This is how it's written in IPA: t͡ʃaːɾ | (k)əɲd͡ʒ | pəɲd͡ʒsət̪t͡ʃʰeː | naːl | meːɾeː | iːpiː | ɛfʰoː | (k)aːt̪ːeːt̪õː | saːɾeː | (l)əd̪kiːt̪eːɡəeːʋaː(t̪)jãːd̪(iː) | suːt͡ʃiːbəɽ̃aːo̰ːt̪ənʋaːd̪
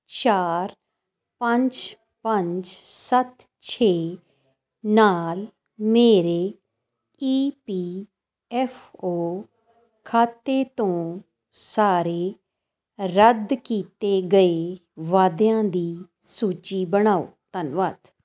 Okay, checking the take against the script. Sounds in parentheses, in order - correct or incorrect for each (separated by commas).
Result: incorrect, incorrect, incorrect, incorrect, correct